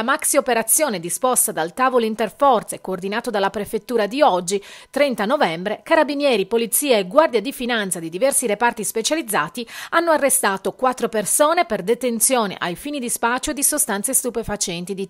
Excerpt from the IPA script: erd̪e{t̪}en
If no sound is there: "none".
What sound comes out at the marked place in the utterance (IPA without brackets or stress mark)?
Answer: t̪